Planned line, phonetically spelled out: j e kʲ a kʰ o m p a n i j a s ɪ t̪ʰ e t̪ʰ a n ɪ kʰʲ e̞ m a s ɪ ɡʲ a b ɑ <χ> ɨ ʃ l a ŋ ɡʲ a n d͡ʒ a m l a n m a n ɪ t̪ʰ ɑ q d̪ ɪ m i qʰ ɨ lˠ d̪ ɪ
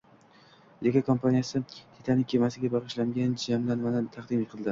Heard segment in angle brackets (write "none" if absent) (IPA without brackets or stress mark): ʁ